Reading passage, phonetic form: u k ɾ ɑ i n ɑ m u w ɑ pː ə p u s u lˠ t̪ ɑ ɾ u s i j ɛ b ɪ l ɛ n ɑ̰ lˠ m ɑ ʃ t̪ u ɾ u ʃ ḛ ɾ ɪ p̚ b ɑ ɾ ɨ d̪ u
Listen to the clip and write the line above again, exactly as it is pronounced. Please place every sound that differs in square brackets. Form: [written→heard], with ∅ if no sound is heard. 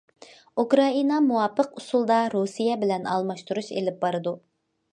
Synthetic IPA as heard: u k ɾ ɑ i n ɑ m u w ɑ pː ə [p→q] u s u lˠ [t̪→d̪] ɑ ɾ u s i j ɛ b ɪ l ɛ n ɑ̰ lˠ m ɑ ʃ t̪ u ɾ u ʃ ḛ [ɾ→l] ɪ p̚ b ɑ ɾ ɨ d̪ u